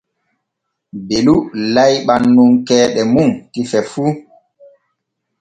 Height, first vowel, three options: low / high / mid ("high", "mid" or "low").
mid